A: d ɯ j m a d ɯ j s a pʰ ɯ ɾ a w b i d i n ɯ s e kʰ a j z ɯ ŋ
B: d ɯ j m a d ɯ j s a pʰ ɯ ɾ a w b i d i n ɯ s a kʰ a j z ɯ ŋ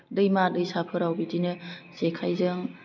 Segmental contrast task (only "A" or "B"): A